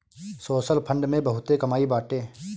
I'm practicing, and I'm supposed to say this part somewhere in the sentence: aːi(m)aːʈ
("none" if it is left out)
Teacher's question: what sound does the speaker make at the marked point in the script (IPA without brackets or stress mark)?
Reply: b